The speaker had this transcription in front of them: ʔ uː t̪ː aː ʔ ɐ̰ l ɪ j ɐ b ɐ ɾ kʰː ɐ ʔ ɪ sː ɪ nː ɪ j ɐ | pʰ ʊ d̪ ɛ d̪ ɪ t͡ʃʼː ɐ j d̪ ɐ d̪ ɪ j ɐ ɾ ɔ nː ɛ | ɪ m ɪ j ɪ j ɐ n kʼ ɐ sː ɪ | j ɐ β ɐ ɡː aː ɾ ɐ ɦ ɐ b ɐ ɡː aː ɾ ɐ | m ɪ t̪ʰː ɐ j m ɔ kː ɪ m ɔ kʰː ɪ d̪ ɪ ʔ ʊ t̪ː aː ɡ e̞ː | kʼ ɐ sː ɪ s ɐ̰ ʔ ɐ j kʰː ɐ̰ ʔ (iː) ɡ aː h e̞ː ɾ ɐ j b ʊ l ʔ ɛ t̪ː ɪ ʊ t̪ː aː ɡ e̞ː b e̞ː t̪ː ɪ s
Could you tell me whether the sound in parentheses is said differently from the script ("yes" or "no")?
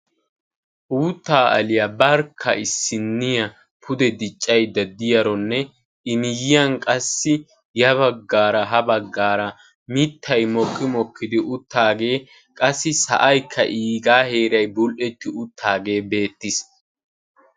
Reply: no